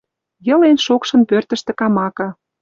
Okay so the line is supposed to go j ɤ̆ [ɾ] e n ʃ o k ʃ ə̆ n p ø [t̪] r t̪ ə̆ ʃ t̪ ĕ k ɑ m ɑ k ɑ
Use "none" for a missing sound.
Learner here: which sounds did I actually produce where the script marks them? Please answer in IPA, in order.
l, none

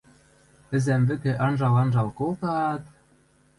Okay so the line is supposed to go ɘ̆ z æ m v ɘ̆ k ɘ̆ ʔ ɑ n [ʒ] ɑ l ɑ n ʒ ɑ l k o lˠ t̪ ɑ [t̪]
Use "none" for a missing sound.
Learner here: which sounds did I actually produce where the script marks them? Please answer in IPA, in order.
ʒ, t̪

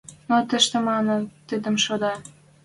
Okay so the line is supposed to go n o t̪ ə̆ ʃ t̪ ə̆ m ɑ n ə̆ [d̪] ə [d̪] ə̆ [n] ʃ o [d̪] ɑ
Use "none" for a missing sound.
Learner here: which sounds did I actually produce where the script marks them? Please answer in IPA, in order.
t̪, d̪, m, d̪

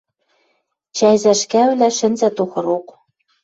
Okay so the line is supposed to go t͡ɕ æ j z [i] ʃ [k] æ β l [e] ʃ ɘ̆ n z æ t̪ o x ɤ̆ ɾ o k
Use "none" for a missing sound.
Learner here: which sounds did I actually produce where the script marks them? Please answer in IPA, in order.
æ, k, æ

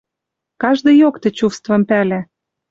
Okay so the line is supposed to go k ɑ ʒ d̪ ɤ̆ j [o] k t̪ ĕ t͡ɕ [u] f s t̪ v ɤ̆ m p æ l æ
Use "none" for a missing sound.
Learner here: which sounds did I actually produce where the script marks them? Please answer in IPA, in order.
o, u

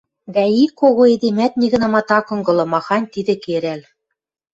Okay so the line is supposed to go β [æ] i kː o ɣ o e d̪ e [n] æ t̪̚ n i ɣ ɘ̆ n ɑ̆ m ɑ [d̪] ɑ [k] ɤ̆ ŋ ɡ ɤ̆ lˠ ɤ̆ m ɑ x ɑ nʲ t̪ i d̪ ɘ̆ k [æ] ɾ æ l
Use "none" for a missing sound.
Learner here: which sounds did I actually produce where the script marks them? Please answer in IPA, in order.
æ, m, t̪, k, e

